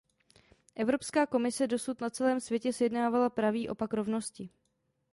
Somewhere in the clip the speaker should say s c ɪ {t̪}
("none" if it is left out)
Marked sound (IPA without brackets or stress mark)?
none